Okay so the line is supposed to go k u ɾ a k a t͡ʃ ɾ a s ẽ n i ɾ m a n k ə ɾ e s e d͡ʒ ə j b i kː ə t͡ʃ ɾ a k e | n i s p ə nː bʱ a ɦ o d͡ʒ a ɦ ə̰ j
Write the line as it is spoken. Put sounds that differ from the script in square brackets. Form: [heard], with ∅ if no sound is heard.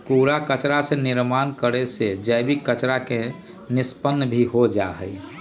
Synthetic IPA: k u ɾ a k [ə] t͡ʃ ɾ a s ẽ n i ɾ m a n k ə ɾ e s e d͡ʒ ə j b i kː ə t͡ʃ ɾ a k e | n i s p ə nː bʱ [i] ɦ o d͡ʒ a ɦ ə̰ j